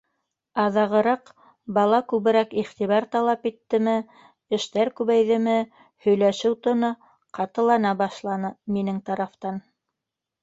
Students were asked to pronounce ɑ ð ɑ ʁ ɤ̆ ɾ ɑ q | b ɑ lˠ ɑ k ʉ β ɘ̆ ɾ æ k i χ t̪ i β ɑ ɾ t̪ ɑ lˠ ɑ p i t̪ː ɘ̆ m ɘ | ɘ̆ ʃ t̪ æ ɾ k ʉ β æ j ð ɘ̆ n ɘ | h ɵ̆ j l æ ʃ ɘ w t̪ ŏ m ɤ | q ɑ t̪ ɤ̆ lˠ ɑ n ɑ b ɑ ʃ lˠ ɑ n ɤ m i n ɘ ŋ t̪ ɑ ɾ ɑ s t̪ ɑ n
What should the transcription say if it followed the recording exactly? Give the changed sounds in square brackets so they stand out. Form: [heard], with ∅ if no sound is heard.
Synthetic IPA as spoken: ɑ ð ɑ ʁ ɤ̆ ɾ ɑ q | b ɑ lˠ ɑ k ʉ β ɘ̆ ɾ æ k i χ t̪ i β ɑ ɾ t̪ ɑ lˠ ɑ p i t̪ː ɘ̆ m ɘ | ɘ̆ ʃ t̪ æ ɾ k ʉ β æ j ð ɘ̆ [m] ɘ | h ɵ̆ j l æ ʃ ɘ w t̪ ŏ [n] ɤ | q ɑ t̪ ɤ̆ lˠ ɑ n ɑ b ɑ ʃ lˠ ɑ n ɤ m i n ɘ ŋ t̪ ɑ ɾ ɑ [f] t̪ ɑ n